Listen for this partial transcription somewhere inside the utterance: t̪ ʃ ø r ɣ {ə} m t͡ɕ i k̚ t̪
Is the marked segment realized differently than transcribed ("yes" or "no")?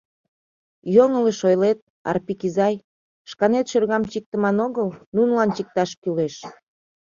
yes